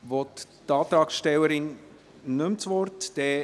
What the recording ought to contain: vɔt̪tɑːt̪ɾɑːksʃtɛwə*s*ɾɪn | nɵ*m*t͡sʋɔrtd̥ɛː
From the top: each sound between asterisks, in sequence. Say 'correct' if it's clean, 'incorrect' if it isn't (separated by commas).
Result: incorrect, correct